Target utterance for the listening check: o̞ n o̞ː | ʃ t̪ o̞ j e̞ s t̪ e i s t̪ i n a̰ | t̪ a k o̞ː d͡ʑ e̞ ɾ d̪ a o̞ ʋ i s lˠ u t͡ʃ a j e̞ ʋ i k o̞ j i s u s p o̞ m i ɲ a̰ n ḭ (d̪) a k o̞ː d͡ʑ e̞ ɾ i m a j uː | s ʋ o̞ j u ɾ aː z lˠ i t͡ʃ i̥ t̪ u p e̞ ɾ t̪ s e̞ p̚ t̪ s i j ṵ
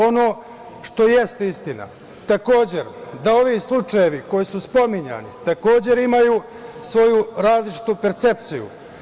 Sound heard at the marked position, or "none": t̪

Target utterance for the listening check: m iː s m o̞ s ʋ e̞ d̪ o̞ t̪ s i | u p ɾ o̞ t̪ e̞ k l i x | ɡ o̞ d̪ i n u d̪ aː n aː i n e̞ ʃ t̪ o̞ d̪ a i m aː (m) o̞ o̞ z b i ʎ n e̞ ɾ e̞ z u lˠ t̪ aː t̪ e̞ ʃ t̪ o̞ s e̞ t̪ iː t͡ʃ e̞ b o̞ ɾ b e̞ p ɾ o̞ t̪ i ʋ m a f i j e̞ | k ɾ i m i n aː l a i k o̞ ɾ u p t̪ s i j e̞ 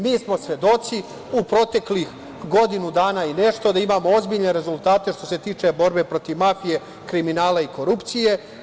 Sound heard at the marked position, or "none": m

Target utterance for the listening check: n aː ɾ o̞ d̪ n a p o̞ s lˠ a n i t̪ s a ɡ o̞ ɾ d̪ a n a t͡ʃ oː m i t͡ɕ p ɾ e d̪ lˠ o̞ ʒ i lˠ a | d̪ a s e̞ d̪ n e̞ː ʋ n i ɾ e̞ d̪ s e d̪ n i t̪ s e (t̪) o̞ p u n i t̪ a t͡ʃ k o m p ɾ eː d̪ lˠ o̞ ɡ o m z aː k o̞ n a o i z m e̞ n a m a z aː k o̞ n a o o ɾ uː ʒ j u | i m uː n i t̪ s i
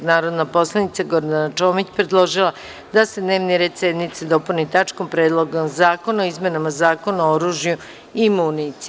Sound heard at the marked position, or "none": d̪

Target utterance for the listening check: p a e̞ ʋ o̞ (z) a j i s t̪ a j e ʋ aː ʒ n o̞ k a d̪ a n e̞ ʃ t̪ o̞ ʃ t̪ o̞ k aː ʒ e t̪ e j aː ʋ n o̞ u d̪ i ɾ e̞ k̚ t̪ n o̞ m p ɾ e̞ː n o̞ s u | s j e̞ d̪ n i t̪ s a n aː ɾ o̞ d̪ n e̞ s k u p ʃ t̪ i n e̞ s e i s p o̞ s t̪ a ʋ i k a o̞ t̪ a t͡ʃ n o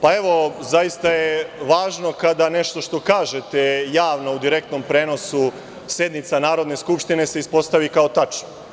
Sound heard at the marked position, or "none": z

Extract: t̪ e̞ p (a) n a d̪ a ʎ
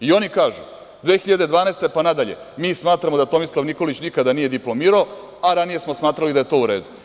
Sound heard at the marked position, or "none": a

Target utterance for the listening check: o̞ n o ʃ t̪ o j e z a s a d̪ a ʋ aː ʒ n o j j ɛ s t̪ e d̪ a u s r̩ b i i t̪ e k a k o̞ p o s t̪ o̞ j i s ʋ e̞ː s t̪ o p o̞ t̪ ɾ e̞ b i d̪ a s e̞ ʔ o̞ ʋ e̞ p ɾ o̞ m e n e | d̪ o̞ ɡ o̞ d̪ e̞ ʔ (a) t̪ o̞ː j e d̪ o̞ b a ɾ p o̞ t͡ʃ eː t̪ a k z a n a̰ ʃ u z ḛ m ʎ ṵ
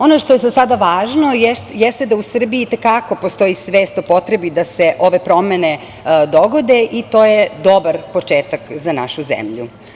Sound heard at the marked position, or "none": i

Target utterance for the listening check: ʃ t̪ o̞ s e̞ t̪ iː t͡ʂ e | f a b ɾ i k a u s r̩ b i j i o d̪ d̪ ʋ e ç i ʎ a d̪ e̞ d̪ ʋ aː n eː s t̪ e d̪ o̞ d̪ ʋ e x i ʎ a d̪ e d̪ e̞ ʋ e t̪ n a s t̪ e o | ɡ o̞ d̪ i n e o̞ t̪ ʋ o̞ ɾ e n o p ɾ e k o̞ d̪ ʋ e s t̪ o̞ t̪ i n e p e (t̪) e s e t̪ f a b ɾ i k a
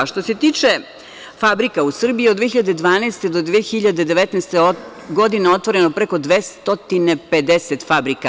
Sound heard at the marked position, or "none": d̪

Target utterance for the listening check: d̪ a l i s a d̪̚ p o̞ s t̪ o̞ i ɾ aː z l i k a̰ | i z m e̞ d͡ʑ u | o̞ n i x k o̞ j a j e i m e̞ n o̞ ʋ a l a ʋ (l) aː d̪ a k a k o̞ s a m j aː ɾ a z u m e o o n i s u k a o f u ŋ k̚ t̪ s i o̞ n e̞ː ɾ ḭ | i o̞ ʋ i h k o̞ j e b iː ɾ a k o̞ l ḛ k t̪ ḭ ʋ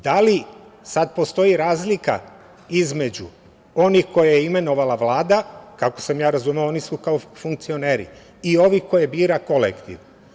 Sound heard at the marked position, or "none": l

